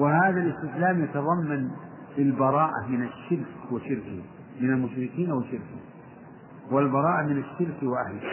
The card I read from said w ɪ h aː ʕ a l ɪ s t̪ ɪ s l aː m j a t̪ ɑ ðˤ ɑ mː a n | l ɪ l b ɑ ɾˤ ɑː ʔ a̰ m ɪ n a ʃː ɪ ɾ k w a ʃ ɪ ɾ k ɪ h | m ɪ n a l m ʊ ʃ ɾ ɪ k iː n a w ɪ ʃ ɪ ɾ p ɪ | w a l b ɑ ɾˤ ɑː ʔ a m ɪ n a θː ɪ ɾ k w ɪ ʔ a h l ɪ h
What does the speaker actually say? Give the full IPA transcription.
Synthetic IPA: w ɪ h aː ð a l ɪ s t̪ ɪ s l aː m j a t̪ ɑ ðˤ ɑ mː a n | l ɪ l b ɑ ɾˤ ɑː ʔ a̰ m ɪ n a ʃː ɪ ɾ k w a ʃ ɪ ɾ k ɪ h | m ɪ n a l m ʊ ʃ ɾ ɪ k iː n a w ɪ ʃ ɪ ɾ k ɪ | w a l b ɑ ɾˤ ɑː ʔ a m ɪ n a ʃː ɪ ɾ k w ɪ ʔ a h l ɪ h